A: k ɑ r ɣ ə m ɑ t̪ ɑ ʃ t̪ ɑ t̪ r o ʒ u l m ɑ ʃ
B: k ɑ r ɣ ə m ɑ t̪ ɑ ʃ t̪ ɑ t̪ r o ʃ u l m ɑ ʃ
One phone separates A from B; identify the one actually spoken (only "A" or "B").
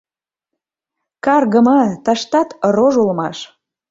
A